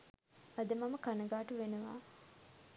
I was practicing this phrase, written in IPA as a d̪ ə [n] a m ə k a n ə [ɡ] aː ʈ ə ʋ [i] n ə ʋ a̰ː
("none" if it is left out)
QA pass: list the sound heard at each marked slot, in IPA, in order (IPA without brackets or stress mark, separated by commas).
m, ɡ, e